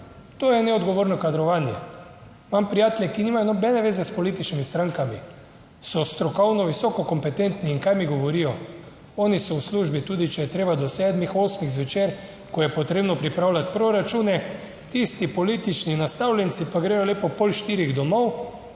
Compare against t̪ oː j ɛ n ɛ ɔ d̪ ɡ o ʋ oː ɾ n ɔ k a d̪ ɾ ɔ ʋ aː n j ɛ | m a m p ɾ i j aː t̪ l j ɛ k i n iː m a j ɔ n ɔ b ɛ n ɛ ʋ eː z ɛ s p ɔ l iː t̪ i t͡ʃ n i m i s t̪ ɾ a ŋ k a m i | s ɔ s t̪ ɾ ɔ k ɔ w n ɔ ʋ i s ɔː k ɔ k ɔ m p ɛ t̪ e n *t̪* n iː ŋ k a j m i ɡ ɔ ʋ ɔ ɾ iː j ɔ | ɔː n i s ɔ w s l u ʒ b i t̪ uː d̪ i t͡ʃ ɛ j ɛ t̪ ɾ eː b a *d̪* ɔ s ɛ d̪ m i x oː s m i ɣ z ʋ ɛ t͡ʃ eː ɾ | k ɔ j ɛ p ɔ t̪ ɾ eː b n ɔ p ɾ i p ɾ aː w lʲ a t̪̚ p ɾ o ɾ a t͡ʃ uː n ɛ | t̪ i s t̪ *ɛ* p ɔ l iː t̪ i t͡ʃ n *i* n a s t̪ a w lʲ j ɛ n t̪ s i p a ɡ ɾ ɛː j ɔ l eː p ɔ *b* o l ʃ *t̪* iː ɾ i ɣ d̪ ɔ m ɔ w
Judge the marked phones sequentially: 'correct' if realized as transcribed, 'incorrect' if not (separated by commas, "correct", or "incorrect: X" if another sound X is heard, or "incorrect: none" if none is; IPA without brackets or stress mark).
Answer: correct, correct, incorrect: i, correct, incorrect: p, correct